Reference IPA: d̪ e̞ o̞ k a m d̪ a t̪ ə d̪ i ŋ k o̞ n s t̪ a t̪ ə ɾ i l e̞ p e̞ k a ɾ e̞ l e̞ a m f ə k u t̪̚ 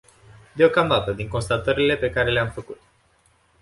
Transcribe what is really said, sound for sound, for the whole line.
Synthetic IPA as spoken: d̪ e̞ o̞ k a m d̪ a t̪ ə d̪ i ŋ k o̞ n s t̪ a t̪ ə ɾ i l e̞ p e̞ k a ɾ e̞ l e̞ a m f ə k u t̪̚